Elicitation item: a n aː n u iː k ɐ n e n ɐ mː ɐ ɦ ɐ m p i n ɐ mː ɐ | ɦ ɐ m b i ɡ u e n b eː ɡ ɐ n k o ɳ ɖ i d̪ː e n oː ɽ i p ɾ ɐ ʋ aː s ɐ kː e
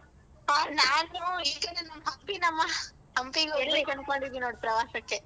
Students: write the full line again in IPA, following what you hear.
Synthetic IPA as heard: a n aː n u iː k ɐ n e n ɐ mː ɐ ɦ ɐ m p i n ɐ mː ɐ | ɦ ɐ m p i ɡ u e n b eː k ɐ n k o ɳ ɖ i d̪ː i n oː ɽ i p ɾ ɐ ʋ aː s ɐ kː e